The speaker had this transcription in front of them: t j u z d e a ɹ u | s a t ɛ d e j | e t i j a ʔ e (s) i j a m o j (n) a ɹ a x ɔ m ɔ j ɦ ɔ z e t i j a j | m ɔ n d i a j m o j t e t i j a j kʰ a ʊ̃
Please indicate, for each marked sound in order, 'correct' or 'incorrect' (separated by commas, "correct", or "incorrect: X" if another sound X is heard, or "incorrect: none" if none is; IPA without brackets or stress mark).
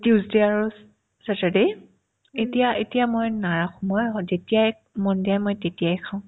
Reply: incorrect: t, correct